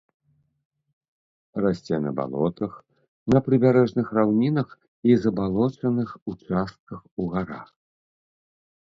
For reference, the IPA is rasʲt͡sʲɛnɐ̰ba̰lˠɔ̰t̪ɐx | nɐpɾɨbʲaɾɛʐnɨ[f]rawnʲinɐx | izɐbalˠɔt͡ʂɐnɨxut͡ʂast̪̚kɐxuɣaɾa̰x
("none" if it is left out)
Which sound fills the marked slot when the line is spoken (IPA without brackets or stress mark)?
x